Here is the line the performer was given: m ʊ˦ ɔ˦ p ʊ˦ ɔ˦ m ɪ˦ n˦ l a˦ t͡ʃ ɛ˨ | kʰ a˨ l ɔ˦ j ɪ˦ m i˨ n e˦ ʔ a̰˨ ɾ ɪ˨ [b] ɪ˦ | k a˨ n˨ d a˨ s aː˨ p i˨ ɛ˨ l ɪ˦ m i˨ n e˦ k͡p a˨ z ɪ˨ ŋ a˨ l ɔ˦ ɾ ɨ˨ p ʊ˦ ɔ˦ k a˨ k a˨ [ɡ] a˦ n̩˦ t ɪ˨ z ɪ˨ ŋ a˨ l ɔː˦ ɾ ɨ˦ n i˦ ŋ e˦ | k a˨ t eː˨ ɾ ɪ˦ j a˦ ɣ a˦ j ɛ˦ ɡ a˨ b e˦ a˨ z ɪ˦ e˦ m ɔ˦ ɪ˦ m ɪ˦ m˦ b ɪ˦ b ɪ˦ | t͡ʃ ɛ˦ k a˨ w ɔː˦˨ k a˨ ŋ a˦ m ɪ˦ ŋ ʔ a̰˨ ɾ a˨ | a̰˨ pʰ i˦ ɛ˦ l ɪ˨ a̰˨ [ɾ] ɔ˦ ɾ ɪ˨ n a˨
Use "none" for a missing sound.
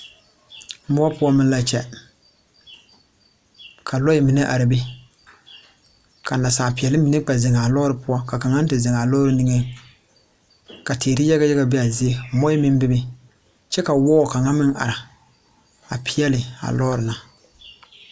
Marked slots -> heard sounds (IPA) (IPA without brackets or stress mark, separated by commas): b, ŋ, l